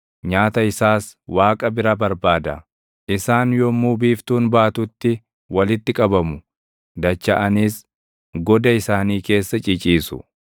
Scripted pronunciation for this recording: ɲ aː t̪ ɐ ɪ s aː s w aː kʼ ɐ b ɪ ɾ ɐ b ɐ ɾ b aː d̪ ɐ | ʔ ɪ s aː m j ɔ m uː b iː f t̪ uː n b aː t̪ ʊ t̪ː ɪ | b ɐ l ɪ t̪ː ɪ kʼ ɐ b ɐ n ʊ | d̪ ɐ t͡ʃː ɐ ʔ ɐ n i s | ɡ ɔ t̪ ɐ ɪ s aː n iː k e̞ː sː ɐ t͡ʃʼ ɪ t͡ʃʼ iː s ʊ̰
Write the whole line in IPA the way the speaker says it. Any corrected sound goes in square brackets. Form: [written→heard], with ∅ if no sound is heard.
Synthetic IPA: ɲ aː t̪ ɐ ɪ s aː s w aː kʼ ɐ b ɪ ɾ ɐ b ɐ ɾ b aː d̪ ɐ | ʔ ɪ s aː [m→n] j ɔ m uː b iː f t̪ uː n b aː t̪ ʊ t̪ː ɪ | [b→w] ɐ l ɪ t̪ː ɪ kʼ ɐ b ɐ [n→m] ʊ | d̪ ɐ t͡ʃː ɐ ʔ ɐ n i s | ɡ ɔ [t̪→d̪] ɐ ɪ s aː n iː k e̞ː sː ɐ t͡ʃʼ ɪ t͡ʃʼ iː s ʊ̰